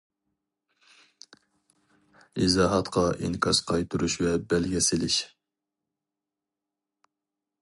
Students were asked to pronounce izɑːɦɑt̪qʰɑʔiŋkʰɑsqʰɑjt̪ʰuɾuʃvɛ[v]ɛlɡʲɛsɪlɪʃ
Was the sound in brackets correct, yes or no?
no